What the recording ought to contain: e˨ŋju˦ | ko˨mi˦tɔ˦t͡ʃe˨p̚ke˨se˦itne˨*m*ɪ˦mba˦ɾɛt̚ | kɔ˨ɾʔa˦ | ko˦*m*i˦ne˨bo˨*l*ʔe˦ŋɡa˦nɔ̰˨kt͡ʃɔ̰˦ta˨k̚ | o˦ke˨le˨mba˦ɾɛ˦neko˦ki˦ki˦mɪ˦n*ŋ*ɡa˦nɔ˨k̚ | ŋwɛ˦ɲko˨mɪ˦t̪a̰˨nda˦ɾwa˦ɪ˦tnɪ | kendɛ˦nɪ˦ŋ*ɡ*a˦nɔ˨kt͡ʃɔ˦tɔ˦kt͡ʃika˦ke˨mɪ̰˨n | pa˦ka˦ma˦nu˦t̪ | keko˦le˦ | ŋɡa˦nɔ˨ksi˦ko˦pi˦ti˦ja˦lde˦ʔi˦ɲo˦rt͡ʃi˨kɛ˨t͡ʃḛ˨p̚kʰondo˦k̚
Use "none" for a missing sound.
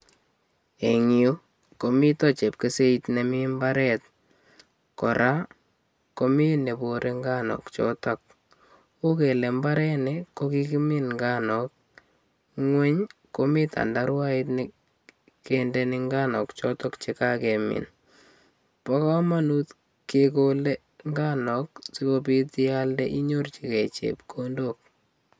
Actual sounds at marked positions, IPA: m, m, ɾ, ŋ, ɡ

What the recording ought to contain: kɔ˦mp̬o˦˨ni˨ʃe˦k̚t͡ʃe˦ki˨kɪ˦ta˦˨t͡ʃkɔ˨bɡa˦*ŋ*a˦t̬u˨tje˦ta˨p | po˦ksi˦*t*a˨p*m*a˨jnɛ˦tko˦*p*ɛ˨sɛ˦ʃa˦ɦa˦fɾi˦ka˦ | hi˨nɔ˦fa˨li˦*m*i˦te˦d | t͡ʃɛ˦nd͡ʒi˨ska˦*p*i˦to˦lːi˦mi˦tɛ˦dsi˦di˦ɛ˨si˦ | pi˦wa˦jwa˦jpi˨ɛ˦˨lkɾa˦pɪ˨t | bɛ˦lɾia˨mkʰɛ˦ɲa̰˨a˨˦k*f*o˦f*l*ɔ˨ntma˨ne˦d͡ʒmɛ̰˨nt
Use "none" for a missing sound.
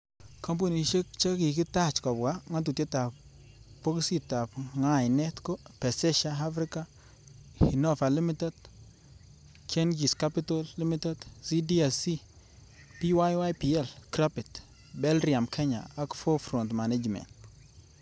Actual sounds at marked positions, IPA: ŋ, t, ŋ, p, m, p, f, ɾ

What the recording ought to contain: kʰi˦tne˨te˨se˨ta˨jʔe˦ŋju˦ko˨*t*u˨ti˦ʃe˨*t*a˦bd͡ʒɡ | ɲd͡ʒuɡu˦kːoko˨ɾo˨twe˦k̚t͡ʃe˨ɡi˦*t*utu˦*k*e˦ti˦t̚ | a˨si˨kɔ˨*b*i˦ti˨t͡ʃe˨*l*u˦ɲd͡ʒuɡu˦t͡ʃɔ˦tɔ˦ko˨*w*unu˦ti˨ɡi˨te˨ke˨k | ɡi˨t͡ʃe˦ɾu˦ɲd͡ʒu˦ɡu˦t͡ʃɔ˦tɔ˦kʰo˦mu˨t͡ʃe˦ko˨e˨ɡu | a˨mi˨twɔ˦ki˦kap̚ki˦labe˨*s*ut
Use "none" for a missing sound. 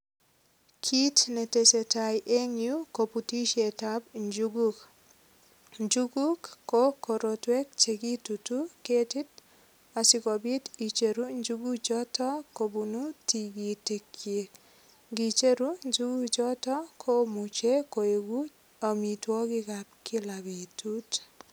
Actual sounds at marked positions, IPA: p, t, t, k, b, ɾ, b, t

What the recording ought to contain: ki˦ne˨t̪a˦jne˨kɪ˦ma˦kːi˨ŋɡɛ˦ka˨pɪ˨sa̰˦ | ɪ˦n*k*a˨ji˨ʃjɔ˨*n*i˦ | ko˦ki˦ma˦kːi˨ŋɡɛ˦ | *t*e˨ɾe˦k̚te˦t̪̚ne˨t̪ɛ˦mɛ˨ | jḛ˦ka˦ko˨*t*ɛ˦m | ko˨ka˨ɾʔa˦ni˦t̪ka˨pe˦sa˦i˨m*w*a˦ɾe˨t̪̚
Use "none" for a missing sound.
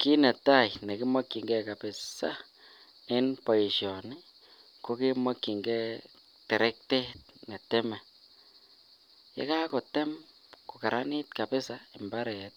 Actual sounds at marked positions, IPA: p, n, t, t, b

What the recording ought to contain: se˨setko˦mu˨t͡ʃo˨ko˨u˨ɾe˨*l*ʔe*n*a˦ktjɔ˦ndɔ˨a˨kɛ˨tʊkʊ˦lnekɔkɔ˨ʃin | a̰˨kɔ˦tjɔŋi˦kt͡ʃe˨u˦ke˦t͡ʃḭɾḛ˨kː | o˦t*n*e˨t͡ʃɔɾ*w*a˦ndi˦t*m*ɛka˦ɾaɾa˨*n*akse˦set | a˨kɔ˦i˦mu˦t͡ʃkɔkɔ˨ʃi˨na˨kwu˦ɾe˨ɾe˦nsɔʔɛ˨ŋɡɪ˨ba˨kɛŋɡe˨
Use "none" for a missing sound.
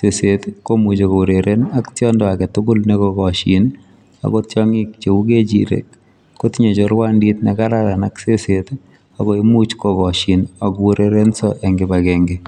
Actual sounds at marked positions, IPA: ɾ, n, ɲ, w, n, n

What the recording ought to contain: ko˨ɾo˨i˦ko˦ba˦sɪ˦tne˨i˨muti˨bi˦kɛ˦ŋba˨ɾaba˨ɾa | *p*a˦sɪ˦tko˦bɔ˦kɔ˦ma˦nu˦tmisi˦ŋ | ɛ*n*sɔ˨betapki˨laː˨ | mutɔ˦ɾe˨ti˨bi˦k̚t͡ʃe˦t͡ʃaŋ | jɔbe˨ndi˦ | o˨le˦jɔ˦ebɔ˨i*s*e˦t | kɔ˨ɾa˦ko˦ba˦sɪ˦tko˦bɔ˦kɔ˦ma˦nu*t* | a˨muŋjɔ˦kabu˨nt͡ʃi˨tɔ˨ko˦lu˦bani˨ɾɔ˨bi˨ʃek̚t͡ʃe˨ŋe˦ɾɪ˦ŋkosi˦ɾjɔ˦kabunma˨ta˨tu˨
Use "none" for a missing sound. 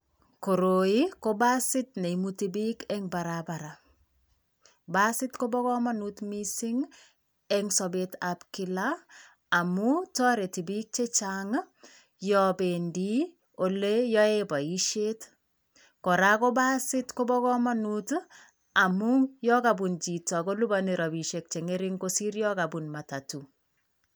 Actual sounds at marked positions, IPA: b, ŋ, ʃ, t

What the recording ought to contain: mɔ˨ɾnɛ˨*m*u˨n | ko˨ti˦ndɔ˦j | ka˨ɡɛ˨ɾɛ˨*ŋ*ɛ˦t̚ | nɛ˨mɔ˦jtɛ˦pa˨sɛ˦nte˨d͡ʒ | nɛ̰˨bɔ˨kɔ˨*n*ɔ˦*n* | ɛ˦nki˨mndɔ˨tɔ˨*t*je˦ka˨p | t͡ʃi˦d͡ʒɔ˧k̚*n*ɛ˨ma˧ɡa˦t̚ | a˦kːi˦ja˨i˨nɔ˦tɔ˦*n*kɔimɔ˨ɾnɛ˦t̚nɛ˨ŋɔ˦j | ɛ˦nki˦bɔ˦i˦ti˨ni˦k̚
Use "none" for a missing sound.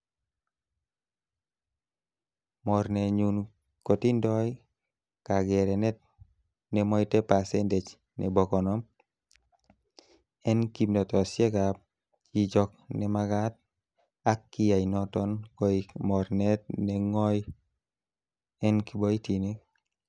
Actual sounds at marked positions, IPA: ɲ, n, n, m, s, n, n

